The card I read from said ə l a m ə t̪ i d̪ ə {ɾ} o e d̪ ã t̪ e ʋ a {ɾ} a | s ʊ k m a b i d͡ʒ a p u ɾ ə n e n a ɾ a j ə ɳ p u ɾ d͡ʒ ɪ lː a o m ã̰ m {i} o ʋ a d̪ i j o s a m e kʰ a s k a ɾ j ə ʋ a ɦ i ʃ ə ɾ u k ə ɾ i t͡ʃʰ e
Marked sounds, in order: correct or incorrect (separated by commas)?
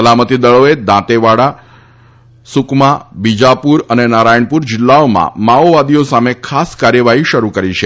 incorrect, incorrect, incorrect